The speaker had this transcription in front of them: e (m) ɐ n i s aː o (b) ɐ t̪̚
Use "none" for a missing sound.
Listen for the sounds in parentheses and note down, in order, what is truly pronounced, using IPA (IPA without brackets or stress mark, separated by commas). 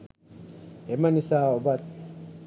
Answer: m, b